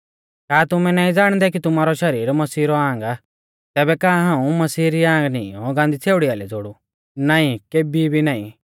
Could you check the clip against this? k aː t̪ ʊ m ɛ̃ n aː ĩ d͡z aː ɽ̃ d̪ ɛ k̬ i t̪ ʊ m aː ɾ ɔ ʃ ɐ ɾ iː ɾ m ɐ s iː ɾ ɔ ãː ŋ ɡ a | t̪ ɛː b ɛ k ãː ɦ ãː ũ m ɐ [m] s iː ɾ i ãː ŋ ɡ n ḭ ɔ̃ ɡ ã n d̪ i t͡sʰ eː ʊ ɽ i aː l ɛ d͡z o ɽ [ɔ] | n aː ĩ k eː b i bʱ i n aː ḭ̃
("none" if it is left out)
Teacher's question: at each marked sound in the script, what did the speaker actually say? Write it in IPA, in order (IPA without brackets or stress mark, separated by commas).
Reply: none, u